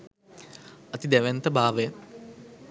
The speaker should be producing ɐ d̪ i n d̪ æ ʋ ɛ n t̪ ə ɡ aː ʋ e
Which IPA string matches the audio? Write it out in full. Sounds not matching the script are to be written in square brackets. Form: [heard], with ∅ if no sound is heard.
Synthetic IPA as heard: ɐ [t̪] i [∅] d̪ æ ʋ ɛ n t̪ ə [b] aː ʋ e